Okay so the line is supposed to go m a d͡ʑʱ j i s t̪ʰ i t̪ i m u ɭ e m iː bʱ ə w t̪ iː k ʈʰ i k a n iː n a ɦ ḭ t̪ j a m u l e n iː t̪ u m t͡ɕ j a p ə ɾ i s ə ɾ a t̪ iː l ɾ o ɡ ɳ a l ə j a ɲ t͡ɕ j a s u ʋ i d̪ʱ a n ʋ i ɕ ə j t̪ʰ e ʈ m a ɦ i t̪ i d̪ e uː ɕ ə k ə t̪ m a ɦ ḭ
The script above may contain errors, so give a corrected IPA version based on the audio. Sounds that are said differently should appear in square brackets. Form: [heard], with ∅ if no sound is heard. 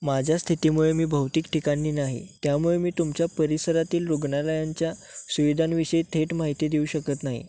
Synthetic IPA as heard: m a d͡ʑʱ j [a] s t̪ʰ i t̪ i m u ɭ e m iː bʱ ə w t̪ iː k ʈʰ i k a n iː n a ɦ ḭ t̪ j a m u [ɭ] e [m] iː t̪ u m t͡ɕ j a p ə ɾ i s ə ɾ a t̪ iː l ɾ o ɡ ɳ a l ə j a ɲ t͡ɕ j a s u ʋ i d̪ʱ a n ʋ i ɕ ə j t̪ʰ e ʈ m a ɦ i t̪ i d̪ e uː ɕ ə k ə t̪ [n] a ɦ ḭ